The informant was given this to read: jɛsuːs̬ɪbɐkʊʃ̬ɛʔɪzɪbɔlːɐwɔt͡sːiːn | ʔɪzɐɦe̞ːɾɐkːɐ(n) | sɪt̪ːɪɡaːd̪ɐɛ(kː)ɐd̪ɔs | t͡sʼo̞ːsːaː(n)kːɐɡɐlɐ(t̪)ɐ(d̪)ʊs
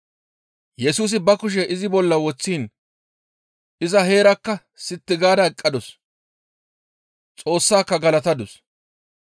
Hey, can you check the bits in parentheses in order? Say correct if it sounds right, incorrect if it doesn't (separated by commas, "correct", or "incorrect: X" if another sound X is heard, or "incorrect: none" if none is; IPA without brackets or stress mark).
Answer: incorrect: none, incorrect: kʼː, incorrect: none, correct, correct